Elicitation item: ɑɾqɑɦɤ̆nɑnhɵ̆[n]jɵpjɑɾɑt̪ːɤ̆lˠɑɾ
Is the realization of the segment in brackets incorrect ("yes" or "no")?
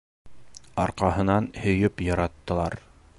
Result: yes